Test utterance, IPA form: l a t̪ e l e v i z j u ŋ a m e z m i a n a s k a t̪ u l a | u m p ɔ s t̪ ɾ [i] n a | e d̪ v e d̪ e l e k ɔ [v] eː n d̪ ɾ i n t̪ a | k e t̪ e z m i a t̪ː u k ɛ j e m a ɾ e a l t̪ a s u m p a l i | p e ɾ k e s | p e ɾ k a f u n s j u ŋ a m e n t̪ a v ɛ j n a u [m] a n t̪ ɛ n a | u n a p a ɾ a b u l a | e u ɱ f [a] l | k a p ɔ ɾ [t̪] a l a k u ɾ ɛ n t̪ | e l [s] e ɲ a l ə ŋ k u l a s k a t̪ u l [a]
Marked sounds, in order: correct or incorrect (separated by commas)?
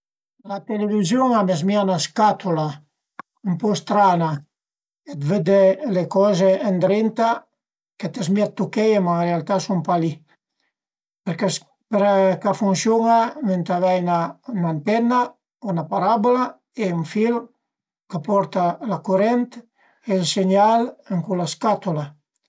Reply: incorrect, incorrect, incorrect, incorrect, correct, correct, correct